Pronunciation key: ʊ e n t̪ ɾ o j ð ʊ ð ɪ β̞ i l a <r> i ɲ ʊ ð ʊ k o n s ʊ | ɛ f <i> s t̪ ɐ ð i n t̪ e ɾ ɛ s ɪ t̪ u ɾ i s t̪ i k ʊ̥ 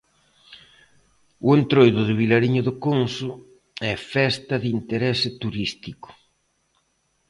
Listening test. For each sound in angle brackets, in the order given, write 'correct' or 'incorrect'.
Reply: incorrect: ɾ, incorrect: ɛ

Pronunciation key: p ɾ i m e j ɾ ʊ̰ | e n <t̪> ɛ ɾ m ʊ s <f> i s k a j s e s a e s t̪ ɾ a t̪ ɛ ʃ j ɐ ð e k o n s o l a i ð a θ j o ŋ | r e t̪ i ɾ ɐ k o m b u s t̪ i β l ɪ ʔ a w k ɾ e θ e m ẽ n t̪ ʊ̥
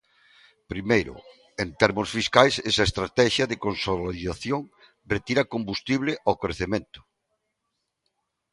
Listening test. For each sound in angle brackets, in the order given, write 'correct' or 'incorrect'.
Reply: correct, correct

